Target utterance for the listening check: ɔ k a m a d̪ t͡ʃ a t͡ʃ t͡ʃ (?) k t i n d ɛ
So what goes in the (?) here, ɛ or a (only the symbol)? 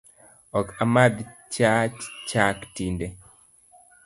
a